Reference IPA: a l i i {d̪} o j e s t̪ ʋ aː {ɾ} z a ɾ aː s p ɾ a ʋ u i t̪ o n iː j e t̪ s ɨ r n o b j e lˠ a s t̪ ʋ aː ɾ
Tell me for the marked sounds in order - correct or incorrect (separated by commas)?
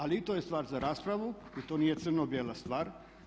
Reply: incorrect, correct